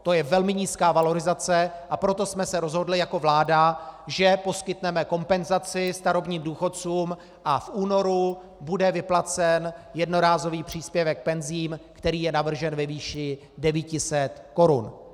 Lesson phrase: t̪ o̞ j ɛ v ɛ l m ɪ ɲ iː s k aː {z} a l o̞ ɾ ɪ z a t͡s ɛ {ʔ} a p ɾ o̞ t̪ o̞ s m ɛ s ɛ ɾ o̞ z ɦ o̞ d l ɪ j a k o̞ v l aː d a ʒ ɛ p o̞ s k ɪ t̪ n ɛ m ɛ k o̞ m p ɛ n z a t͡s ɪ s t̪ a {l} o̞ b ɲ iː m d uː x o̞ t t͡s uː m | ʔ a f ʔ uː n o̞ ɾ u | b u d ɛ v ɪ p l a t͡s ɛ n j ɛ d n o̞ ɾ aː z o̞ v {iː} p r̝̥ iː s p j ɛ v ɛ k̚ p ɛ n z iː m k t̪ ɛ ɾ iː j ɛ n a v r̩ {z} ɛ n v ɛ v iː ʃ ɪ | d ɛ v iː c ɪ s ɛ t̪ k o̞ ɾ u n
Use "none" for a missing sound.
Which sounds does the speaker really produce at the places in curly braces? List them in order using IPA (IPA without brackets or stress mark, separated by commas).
v, ʔ, ɾ, iː, ʒ